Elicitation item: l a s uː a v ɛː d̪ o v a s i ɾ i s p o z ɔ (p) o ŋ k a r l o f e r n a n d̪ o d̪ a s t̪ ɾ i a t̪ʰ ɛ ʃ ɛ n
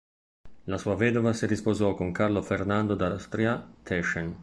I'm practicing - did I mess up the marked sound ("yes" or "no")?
yes